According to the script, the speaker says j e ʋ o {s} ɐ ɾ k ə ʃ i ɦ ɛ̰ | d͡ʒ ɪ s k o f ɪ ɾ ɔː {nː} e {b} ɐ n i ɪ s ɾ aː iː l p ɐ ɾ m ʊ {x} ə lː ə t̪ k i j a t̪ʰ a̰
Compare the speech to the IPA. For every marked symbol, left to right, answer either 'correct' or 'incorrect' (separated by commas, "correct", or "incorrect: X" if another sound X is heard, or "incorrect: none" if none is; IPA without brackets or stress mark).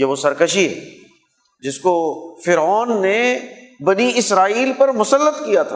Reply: correct, correct, correct, incorrect: s